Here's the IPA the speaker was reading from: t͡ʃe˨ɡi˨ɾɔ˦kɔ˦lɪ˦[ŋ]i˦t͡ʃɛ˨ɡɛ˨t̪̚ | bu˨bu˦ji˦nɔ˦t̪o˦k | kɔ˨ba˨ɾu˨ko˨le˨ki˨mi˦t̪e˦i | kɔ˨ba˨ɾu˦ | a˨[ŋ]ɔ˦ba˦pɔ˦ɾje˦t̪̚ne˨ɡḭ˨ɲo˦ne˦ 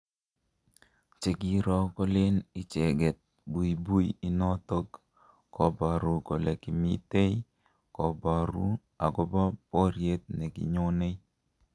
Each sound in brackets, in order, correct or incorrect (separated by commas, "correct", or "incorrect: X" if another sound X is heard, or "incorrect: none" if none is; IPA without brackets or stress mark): incorrect: n, incorrect: ɡ